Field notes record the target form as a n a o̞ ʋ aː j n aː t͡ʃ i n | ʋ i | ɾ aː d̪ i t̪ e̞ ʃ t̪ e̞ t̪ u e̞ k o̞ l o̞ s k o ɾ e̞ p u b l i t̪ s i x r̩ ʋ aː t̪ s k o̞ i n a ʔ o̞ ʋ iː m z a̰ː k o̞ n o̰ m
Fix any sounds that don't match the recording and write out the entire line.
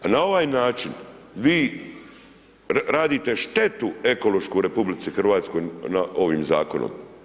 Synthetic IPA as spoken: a n a o̞ ʋ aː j n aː t͡ʃ i n | ʋ iː | ɾ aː d̪ i t̪ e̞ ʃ t̪ e̞ t̪ u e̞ k o̞ l o̞ ʃ k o ɾ e̞ p u b l i t̪ s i x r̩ ʋ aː t̪ s k o̞ j n a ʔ o̞ ʋ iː m z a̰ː k o̞ n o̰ m

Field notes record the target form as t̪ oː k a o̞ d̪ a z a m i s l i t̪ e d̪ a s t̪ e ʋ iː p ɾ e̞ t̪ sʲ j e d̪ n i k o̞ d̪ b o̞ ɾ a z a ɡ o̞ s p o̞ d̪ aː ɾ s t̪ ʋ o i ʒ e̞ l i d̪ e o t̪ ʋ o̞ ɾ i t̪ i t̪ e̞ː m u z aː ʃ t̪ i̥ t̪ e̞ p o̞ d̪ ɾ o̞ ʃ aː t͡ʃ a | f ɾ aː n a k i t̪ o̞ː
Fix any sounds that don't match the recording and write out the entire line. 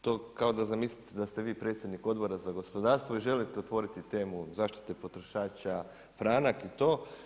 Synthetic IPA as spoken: t̪ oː k a o̞ d̪ a z a m i s l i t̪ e d̪ a s t̪ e ʋ iː p ɾ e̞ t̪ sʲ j e d̪ n i k o̞ d̪ b o̞ ɾ a z a ɡ o̞ s p o̞ d̪ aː ɾ s t̪ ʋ o i ʒ e̞ l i t̪ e o t̪ ʋ o̞ ɾ i t̪ i t̪ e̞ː m u z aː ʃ t̪ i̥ t̪ e̞ p o̞ t̪ ɾ o̞ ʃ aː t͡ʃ a | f ɾ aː n a k i t̪ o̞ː

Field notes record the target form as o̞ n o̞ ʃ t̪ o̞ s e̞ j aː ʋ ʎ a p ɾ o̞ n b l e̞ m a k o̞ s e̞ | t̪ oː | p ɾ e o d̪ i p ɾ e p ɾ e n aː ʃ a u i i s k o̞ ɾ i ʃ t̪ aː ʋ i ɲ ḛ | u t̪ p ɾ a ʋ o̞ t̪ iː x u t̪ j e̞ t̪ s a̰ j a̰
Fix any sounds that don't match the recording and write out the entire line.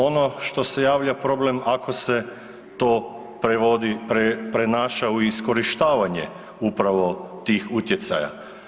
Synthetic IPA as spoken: o̞ n o̞ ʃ t̪ o̞ s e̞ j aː ʋ ʎ a p ɾ o̞ b l e̞ m a k o̞ s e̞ | t̪ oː | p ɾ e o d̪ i p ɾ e p ɾ e n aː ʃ a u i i s k o̞ ɾ i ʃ t̪ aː ʋ a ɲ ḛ | u p ɾ a ʋ o̞ t̪ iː x u t̪ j e̞ t̪ s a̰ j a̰

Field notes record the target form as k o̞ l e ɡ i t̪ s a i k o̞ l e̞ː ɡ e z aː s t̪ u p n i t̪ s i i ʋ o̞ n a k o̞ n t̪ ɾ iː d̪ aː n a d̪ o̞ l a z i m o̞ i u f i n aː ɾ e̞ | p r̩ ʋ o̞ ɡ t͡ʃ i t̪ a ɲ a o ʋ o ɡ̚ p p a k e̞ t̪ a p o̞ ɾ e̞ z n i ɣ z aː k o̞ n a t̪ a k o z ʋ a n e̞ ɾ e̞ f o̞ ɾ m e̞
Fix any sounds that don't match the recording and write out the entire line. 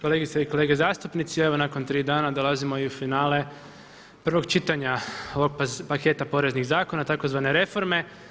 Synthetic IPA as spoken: k o̞ l e ɡ i t̪ s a i k o̞ l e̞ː ɡ e z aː s t̪ u p n i t̪ s i e ʋ o̞ n a k o̞ n t̪ ɾ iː d̪ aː n a d̪ o̞ l a z i m o̞ i u f i n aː l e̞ | p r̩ ʋ o̞ ɡ t͡ʃ i t̪ a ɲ a o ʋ o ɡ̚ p p a k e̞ t̪ a p o̞ ɾ e̞ z n i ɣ z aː k o̞ n a t̪ a k o z ʋ a n e̞ ɾ e̞ f o̞ ɾ m e̞

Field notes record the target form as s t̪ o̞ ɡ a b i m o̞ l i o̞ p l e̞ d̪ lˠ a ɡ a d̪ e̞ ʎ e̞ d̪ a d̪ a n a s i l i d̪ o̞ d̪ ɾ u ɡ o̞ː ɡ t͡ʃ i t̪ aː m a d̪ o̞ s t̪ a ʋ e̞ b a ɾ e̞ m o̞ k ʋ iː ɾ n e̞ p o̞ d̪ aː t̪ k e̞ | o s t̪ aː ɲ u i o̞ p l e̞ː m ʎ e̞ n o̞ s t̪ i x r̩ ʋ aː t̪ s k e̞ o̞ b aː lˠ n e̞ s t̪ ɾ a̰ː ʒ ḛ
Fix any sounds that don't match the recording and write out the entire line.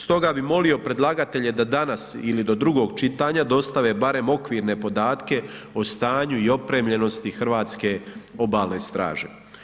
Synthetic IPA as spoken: s t̪ o̞ ɡ a b i m o̞ l i o̞ p ɾ e̞ d̪ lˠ a ɡ a t̪ e̞ ʎ e̞ d̪ a d̪ a n a s i l i d̪ o̞ d̪ ɾ u ɡ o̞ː ɡ t͡ʃ i t̪ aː ɲ a d̪ o̞ s t̪ a ʋ e̞ b a ɾ e̞ m o̞ k ʋ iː ɾ n e̞ p o̞ d̪ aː t̪ k e̞ | o s t̪ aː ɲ u i o̞ p ɾ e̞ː m ʎ e̞ n o̞ s t̪ i x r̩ ʋ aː t̪ s k e̞ o̞ b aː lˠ n e̞ s t̪ ɾ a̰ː ʒ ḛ

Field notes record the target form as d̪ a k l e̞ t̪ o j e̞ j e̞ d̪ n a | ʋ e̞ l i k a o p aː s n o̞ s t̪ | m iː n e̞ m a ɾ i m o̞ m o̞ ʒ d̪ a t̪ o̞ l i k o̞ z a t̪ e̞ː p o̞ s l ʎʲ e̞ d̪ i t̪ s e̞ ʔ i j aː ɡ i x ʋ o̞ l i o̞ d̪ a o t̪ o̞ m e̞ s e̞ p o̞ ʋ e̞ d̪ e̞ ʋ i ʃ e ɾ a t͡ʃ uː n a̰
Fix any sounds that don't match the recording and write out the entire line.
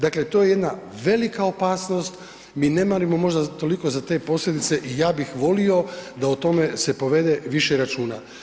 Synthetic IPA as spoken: d̪ a k l e̞ t̪ o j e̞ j e̞ d̪ n a | ʋ e̞ l i k a o p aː s n o̞ s t̪ | m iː n e̞ m a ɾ i m o̞ m o̞ ʒ d̪ a t̪ o̞ l i k o̞ z a t̪ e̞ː p o̞ s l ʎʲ e̞ d̪ i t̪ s e̞ ʔ i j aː b i x ʋ o̞ l i o̞ d̪ a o t̪ o̞ m e̞ s e̞ p o̞ ʋ e̞ d̪ e̞ ʋ i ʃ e ɾ a t͡ʃ uː n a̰

